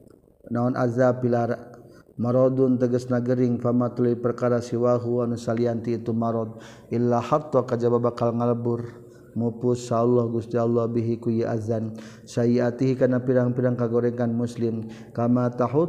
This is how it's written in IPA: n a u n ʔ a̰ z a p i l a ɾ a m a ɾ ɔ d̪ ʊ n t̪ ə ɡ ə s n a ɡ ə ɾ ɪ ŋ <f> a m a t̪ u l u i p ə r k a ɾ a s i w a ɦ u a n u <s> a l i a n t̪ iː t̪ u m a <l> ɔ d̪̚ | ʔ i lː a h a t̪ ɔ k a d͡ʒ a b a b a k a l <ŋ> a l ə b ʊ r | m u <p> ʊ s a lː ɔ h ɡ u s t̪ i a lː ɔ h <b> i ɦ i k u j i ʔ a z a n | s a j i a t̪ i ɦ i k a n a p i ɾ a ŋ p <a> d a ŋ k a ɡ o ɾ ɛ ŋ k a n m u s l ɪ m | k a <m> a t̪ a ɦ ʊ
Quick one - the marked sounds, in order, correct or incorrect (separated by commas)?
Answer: correct, correct, incorrect, correct, correct, correct, incorrect, correct